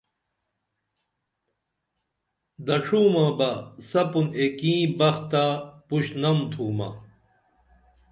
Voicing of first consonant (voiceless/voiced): voiced